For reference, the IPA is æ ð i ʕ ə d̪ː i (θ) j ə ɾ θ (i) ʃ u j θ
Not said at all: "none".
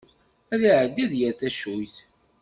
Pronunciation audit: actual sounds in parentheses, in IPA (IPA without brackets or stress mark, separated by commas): ð, æ